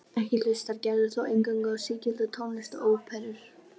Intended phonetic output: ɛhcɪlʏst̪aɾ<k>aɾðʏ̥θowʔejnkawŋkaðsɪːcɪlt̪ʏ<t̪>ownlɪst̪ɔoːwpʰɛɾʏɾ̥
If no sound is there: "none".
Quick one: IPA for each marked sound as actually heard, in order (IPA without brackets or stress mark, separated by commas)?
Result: c, t̪ʰ